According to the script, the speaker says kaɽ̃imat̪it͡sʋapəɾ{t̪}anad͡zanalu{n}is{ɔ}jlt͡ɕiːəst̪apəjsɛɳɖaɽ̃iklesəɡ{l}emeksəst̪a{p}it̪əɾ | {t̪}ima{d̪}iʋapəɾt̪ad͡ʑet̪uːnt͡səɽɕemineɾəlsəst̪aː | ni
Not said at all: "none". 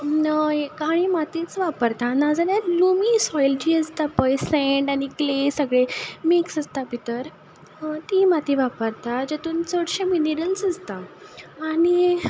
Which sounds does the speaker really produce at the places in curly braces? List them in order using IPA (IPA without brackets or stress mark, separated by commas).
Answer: t̪, m, ɔ, ɭ, p, t̪, t̪